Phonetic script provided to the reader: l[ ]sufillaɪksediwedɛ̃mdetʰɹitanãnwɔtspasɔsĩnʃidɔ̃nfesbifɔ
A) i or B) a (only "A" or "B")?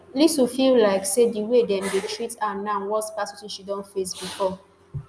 A